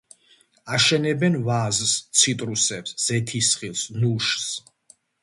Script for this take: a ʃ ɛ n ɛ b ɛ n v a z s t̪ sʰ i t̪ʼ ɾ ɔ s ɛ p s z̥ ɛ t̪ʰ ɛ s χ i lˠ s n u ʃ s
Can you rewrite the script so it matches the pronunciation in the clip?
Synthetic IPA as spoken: a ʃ ɛ n ɛ b ɛ n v a z s t̪ sʰ i t̪ʼ ɾ u s ɛ p s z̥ ɛ t̪ʰ i s χ i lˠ s n u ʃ s